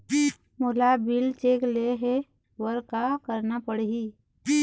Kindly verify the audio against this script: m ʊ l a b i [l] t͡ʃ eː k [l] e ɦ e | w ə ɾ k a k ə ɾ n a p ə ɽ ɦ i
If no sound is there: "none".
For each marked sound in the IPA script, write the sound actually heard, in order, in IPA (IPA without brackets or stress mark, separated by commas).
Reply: l, l